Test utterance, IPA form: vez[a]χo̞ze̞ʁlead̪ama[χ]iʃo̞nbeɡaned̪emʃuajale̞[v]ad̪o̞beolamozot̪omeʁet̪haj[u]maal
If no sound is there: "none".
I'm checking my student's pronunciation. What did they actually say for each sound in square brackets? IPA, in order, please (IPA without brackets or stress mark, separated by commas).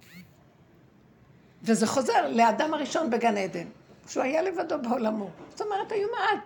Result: e, ʁ, v, u